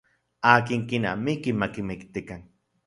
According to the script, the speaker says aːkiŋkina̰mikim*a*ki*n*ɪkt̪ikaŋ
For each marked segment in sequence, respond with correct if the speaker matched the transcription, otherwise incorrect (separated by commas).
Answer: correct, incorrect